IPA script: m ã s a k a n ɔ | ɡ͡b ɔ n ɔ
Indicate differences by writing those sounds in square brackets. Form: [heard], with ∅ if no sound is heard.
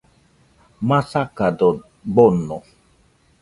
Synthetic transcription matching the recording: m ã s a k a [d] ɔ | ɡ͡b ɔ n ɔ